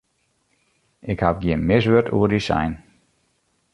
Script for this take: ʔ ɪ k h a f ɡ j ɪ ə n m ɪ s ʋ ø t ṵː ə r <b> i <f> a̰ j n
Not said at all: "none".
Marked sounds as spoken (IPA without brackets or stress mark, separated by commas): d, s